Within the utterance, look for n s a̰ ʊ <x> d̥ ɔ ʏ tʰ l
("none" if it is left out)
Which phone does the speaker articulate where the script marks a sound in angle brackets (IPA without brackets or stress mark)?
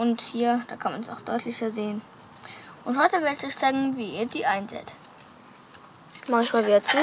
x